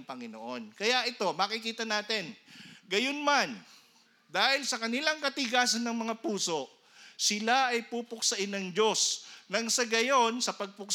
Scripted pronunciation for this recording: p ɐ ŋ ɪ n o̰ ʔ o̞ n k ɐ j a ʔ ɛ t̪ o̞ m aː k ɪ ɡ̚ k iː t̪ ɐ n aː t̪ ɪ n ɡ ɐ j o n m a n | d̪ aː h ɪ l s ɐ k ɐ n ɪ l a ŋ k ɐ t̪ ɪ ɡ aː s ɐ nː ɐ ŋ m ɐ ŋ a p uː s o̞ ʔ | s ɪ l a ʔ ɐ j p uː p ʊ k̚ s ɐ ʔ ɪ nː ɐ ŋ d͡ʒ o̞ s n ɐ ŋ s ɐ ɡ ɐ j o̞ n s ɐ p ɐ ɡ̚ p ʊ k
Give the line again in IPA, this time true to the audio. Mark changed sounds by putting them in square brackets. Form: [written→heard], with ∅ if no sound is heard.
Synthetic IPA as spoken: p ɐ ŋ ɪ n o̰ ʔ o̞ n k ɐ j a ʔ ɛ t̪ o̞ m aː k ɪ [ɡ̚→∅] k iː t̪ ɐ n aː t̪ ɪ n ɡ ɐ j o n m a n | d̪ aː h ɪ l s ɐ k ɐ n ɪ l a ŋ k ɐ t̪ ɪ ɡ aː s ɐ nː ɐ ŋ m ɐ ŋ a p uː s o̞ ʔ | s ɪ l a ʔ ɐ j p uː p ʊ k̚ s ɐ ʔ ɪ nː ɐ ŋ d͡ʒ o̞ s n ɐ ŋ s ɐ ɡ ɐ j o̞ n s ɐ p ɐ ɡ̚ p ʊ k